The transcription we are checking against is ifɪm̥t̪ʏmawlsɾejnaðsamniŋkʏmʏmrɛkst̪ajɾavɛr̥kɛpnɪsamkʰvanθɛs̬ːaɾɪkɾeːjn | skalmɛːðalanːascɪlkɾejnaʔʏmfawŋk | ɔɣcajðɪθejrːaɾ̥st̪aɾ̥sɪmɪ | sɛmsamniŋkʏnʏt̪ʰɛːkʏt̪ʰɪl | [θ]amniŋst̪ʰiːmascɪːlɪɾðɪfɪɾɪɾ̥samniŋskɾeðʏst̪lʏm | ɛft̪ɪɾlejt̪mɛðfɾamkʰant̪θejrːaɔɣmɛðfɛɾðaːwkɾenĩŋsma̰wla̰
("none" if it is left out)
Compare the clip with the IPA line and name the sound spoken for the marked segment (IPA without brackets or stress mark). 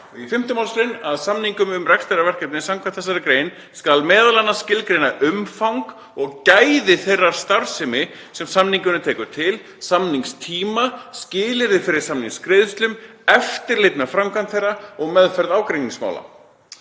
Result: s